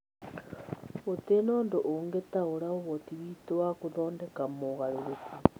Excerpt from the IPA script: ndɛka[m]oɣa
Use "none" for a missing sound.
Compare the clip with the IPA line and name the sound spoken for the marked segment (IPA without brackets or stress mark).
m